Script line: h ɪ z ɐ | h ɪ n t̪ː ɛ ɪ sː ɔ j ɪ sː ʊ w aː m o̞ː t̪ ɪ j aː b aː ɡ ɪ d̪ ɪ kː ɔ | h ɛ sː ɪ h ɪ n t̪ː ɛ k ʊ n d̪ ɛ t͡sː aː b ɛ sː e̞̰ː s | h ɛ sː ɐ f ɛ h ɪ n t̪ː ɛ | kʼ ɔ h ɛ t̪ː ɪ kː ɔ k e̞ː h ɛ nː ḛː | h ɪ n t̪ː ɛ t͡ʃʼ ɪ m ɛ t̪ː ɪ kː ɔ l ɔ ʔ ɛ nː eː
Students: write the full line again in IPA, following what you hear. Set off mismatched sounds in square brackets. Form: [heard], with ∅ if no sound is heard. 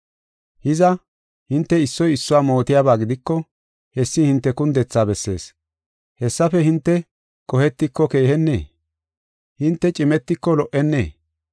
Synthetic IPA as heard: h ɪ z ɐ | h ɪ n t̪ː ɛ ɪ sː ɔ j ɪ sː ʊ w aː m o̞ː t̪ ɪ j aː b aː ɡ ɪ d̪ ɪ kː ɔ | h ɛ sː ɪ h ɪ n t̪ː ɛ k ʊ n d̪ ɛ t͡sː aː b ɛ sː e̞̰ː s | h ɛ sː ɐ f ɛ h ɪ n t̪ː ɛ | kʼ ɔ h ɛ t̪ː ɪ kː ɔ k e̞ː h ɛ nː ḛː | h ɪ n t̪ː ɛ t͡ʃʼ ɪ m ɛ t̪ː ɪ kː ɔ l ɔ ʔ ɛ nː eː